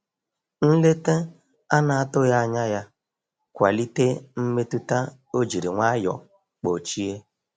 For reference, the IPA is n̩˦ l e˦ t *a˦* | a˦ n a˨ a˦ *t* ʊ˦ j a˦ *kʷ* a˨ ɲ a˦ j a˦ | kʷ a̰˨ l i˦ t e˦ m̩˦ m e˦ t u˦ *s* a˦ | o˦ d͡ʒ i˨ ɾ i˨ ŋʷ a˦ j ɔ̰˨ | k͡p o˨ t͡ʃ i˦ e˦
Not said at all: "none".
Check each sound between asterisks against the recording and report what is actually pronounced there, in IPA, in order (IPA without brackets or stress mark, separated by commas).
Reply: e˦, t, none, t